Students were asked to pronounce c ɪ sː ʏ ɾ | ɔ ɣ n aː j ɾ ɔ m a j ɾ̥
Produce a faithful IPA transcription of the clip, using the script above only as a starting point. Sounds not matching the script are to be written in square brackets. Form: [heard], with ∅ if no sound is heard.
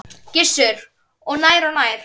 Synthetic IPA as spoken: c ɪ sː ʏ ɾ | ɔ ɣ n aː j ɾ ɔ [n] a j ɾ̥